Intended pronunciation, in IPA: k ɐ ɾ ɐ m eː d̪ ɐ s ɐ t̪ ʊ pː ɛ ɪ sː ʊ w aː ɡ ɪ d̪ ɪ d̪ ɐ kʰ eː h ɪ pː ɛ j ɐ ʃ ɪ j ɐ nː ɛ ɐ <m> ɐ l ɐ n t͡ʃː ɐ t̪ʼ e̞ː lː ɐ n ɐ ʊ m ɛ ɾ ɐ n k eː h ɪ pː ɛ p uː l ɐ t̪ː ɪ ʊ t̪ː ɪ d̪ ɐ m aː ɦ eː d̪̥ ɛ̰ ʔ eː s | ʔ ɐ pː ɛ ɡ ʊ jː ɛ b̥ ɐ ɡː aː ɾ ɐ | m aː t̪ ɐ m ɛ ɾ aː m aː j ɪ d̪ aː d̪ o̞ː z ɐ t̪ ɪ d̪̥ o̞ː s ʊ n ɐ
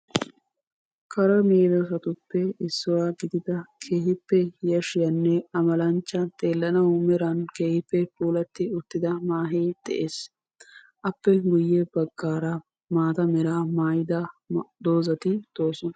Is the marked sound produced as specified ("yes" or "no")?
yes